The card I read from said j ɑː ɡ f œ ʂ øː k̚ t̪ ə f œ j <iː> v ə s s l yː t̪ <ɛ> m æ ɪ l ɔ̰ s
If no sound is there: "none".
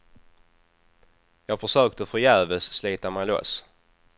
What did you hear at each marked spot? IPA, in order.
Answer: æː, a

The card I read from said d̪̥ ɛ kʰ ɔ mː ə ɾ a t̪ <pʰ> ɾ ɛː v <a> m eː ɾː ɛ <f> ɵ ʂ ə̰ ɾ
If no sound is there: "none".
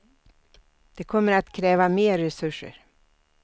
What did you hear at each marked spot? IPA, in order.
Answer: kʰ, a, s

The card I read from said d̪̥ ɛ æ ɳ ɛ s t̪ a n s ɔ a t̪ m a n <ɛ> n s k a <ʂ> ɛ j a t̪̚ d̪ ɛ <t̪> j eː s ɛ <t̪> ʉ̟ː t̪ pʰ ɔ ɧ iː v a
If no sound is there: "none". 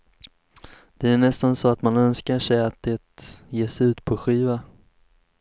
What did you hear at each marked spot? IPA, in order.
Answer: œ, ʂ, t̪, none

